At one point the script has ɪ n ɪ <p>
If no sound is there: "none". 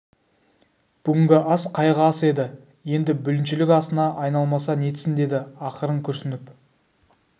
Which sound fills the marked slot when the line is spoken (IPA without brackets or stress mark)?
p